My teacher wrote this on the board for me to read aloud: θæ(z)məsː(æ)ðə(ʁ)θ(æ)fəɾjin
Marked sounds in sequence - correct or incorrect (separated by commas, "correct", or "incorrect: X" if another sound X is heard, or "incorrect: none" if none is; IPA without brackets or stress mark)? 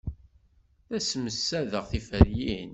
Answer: incorrect: s, correct, correct, incorrect: i